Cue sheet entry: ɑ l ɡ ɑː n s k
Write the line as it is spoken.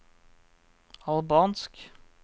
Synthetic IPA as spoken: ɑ l b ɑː n s k